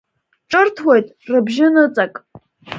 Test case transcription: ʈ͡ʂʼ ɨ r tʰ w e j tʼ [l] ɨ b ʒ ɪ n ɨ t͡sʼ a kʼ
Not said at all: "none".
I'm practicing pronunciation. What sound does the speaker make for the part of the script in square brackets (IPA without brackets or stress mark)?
r